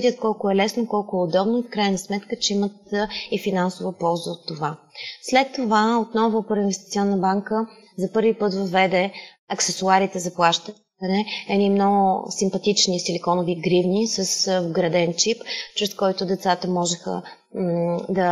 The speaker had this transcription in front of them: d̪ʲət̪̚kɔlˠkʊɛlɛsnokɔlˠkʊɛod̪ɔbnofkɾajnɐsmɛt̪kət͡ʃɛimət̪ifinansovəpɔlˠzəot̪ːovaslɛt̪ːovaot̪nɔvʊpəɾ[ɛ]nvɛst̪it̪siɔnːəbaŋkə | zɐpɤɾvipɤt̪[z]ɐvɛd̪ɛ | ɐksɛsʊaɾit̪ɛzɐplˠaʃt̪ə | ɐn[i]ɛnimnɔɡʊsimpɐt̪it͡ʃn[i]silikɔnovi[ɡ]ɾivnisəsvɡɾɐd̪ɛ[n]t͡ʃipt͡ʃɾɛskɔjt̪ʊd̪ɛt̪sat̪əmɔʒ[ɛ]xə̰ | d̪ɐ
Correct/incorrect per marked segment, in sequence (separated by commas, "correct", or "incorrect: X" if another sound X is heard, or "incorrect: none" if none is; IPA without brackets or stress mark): incorrect: i, incorrect: v, incorrect: ɛ, correct, correct, correct, correct